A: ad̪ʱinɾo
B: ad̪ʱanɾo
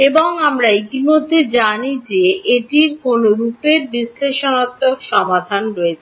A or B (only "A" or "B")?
B